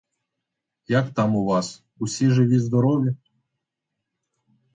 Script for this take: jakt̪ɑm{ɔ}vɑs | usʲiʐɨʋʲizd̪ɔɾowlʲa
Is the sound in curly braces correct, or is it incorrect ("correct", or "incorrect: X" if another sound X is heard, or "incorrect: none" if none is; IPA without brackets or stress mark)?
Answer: incorrect: u